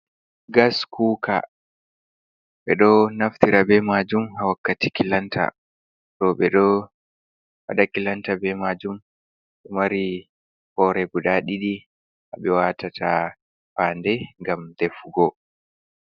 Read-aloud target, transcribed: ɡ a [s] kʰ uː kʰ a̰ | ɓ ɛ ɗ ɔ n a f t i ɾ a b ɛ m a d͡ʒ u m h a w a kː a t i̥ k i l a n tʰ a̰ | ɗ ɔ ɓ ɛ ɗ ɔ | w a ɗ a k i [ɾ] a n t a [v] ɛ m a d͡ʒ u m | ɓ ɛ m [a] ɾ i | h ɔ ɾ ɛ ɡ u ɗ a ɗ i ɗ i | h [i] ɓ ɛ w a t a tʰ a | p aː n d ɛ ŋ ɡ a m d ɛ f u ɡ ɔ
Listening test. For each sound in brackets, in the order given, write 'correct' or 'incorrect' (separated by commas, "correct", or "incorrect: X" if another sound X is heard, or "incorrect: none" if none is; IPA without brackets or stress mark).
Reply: correct, incorrect: l, incorrect: b, correct, incorrect: a